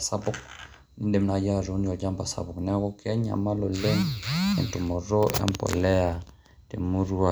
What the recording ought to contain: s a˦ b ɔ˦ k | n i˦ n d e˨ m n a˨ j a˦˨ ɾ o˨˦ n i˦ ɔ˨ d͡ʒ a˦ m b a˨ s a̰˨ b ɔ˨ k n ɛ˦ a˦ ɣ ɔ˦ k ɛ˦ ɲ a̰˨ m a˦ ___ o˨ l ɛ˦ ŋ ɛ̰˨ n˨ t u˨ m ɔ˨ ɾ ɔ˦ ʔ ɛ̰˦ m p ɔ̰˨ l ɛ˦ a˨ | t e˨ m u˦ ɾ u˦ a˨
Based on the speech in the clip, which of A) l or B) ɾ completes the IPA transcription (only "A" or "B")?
A